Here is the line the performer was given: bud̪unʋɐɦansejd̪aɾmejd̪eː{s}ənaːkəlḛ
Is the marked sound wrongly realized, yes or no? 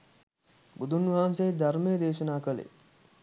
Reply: yes